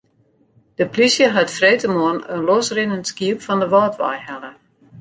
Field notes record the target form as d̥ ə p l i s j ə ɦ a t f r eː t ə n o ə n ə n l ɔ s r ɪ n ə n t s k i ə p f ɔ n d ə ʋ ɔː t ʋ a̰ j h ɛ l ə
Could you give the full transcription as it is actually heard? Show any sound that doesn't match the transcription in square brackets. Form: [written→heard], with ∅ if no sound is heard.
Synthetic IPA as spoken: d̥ ə p l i s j ə ɦ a t f r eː t ə [n→m] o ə n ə n l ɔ s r ɪ n ə n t s k i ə p f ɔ n d ə ʋ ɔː t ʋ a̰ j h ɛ l ə